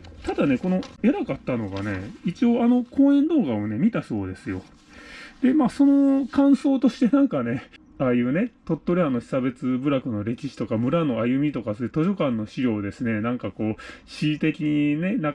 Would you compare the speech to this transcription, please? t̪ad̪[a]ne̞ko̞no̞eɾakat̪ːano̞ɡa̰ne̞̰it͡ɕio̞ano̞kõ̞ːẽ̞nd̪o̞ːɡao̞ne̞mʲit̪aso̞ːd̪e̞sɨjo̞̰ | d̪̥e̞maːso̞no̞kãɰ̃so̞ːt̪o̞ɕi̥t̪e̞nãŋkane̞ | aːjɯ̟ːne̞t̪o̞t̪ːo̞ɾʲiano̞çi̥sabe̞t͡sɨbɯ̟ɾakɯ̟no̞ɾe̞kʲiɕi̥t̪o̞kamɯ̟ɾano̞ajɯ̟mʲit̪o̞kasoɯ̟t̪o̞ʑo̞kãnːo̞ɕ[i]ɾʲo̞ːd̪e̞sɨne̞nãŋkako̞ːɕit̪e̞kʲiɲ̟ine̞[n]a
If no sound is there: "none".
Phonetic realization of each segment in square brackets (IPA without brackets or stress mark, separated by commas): a, i, n